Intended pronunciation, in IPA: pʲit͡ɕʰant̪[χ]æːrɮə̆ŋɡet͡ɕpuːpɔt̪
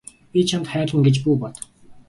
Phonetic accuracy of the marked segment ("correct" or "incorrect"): correct